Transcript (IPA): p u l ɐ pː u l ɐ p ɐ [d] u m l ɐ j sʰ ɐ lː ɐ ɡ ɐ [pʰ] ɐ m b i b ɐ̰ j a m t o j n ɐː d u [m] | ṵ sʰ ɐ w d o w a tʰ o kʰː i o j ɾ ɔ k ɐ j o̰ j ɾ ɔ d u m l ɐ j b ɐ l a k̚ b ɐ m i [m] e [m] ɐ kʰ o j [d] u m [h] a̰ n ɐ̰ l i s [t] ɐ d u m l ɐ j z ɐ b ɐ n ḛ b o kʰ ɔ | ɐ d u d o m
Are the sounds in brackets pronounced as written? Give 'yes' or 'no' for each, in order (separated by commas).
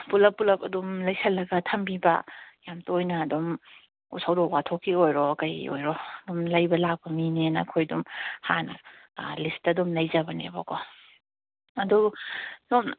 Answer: yes, no, yes, no, no, yes, yes, yes